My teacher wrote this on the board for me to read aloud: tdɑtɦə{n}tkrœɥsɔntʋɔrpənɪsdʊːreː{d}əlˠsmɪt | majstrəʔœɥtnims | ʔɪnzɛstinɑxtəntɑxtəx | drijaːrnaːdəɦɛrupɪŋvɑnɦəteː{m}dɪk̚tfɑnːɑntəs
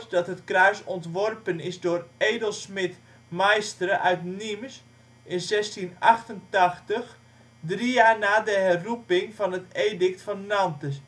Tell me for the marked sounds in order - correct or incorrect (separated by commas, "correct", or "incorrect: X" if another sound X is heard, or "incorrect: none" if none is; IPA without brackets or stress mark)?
incorrect: none, correct, incorrect: none